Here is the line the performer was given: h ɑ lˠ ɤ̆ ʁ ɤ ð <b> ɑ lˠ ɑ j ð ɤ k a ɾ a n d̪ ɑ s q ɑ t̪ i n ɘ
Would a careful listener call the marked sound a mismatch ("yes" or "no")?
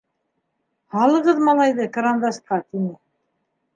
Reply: yes